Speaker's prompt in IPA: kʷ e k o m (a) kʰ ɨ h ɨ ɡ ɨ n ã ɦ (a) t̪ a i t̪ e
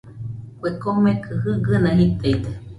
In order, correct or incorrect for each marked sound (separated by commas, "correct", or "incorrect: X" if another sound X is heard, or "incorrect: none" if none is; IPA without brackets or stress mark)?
incorrect: e, incorrect: i